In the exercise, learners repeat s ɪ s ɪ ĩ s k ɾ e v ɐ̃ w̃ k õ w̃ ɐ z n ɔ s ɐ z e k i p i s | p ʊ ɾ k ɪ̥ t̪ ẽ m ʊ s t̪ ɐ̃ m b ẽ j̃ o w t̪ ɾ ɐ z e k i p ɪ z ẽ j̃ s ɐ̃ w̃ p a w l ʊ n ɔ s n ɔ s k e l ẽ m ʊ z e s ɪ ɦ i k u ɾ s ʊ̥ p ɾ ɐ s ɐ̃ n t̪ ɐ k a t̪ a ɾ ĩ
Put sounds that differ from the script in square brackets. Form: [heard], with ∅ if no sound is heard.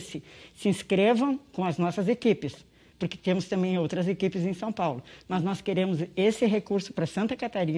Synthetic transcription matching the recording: s ɪ s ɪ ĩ s k ɾ e v ɐ̃ w̃ k õ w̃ ɐ z n ɔ s ɐ z e k i p [ɪ] s | p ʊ ɾ k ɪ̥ t̪ ẽ m ʊ s t̪ ɐ̃ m b ẽ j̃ o w t̪ ɾ ɐ z e k i p ɪ z ẽ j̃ s ɐ̃ w̃ p a w l ʊ n ɔ [z] n ɔ s k e [ɾ] ẽ m ʊ z e s ɪ ɦ [e] k u ɾ s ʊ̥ p ɾ ɐ s ɐ̃ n t̪ ɐ k a t̪ a ɾ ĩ